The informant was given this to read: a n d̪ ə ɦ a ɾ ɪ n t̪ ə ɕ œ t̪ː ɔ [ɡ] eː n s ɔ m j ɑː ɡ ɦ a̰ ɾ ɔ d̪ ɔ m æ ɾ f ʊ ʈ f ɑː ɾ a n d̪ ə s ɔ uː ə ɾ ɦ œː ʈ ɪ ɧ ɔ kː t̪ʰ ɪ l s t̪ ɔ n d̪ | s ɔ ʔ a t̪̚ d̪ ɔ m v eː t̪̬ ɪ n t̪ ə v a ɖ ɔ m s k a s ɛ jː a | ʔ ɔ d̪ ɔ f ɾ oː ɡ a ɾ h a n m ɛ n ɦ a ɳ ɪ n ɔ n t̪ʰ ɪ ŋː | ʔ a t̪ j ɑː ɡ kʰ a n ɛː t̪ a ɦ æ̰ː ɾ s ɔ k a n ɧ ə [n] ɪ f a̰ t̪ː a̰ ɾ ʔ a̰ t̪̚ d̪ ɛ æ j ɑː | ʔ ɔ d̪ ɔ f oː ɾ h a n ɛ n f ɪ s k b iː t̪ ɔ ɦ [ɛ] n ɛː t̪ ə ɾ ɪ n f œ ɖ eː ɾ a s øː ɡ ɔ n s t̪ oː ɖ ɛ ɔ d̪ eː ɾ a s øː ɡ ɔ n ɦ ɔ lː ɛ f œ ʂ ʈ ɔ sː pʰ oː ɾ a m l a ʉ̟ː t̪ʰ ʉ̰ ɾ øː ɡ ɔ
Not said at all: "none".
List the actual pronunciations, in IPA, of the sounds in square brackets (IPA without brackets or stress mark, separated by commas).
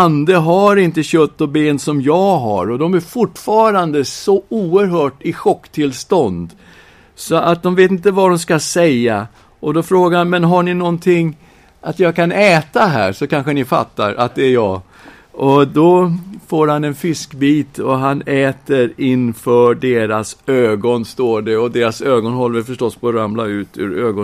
b, n, a